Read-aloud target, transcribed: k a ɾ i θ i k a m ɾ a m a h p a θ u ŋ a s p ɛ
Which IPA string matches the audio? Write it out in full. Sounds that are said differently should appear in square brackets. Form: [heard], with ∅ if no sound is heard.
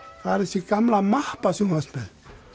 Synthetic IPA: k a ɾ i [s] i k a m [l] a m a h p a [s] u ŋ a s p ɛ